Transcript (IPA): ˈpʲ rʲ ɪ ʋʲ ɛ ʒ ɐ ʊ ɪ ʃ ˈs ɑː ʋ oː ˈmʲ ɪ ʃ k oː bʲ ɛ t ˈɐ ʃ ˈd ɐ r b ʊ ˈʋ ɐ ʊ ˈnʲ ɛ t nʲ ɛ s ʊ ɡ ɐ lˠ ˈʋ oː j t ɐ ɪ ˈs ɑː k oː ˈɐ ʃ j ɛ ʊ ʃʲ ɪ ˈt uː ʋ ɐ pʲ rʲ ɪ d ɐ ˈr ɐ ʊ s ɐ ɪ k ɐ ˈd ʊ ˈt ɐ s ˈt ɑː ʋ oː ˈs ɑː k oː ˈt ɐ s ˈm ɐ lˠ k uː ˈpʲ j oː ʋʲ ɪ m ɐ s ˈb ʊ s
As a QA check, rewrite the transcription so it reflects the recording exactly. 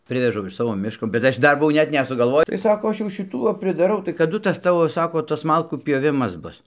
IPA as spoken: ˈpʲ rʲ ɪ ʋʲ ɛ ʒ ɐ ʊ ɪ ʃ ˈs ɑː ʋ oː ˈmʲ ɪ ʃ k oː bʲ ɛ t ˈɐ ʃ ˈd ɐ r b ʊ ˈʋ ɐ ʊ ˈnʲ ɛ t nʲ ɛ s ʊ ɡ ɐ lˠ ˈʋ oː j t ɐ ɪ ˈs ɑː k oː ˈɐ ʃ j ɛ ʊ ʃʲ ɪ ˈt uː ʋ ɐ pʲ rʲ ɪ d ɐ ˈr ɐ ʊ t ɐ ɪ k ɐ ˈd ʊ ˈt ɐ s ˈt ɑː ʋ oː ˈs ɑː k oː ˈt ɐ s ˈm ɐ lˠ k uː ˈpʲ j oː ʋʲ ɪ m ɐ s ˈb ʊ s